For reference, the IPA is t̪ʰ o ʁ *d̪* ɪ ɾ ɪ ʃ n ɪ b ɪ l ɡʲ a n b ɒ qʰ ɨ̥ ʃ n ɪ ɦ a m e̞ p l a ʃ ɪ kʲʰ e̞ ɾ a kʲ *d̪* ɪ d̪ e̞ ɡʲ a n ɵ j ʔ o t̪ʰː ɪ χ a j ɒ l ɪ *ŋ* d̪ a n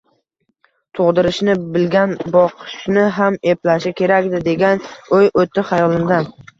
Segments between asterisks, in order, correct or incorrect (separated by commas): correct, correct, incorrect